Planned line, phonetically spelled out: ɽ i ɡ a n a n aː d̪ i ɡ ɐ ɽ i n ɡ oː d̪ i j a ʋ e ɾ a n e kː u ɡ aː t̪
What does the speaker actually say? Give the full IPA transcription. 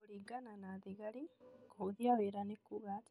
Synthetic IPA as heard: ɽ i ɡ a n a n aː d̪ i ɡ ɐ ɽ i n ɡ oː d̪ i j a ʋ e ɾ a n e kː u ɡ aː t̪